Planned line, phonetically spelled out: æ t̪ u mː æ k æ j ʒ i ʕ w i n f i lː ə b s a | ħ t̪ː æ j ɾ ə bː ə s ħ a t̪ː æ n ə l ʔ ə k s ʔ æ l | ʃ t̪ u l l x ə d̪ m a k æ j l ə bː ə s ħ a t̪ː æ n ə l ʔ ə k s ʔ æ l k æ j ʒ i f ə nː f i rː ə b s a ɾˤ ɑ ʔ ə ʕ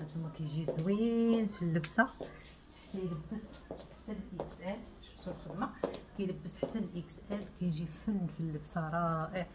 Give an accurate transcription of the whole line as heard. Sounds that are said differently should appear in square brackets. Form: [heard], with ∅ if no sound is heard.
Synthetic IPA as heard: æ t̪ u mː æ k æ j ʒ i [z] w i n f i lː ə b s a | ħ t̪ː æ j [l] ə bː ə s ħ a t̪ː æ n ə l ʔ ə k s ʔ æ l | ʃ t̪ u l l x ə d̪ m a k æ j l ə bː ə s ħ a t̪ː æ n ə l ʔ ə k s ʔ æ l k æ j ʒ i f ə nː f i [lː] ə b s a ɾˤ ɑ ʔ ə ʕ